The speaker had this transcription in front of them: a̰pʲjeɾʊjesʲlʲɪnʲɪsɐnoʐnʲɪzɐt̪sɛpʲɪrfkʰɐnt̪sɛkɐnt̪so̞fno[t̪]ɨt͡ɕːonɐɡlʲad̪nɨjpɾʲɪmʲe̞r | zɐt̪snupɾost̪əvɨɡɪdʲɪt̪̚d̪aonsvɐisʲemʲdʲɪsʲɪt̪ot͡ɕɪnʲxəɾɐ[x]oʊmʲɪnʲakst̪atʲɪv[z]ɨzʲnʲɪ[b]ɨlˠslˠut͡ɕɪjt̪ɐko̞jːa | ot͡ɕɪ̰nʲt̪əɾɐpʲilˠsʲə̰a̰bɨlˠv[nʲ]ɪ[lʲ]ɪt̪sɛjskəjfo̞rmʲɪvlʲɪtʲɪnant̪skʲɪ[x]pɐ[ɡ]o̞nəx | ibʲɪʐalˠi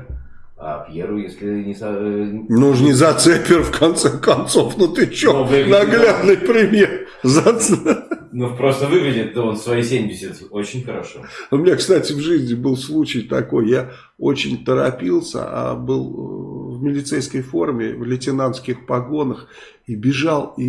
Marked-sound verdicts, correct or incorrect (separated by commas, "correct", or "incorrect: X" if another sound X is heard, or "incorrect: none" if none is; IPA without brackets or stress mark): correct, incorrect: ʂ, incorrect: ʐ, correct, incorrect: mʲ, correct, correct, correct